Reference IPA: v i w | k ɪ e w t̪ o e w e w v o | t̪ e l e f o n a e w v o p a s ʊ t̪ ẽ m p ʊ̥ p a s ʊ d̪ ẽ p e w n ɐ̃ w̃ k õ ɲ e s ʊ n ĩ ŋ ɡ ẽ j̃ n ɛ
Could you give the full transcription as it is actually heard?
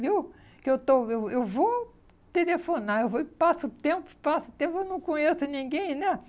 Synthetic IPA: v i w | k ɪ e w t̪ o e w e w v o | t̪ e l e f o n a e w v o p a s ʊ t̪ ẽ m p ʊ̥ p a s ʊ t̪ ẽ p e w n ɐ̃ w̃ k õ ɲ e s ʊ n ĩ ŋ ɡ ẽ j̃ n ɛ